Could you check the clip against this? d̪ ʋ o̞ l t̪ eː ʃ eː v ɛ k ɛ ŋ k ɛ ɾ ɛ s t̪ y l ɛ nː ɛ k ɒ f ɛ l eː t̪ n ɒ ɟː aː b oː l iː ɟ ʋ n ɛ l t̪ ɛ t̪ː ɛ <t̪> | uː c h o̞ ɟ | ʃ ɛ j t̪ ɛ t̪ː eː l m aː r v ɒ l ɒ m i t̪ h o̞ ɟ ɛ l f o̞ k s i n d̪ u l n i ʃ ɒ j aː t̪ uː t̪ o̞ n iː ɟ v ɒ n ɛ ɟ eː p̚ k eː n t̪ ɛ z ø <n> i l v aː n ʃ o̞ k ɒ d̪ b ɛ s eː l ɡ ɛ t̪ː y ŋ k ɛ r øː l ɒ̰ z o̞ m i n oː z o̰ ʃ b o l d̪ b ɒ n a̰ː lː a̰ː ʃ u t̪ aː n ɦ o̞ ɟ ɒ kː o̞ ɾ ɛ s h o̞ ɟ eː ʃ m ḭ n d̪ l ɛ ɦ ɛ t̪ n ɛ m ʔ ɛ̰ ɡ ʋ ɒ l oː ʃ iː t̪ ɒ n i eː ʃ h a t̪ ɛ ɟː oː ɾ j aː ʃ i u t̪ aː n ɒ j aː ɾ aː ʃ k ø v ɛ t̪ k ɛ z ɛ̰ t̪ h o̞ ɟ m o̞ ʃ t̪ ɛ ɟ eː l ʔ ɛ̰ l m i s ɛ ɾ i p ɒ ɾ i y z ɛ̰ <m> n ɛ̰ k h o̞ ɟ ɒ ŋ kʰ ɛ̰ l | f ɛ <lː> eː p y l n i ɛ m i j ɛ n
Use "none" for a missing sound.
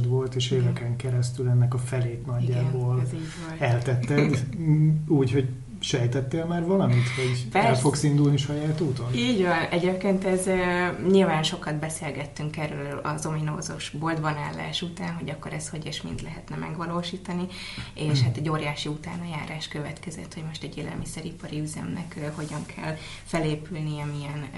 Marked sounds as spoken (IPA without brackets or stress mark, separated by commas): d̪, ɲ, m, l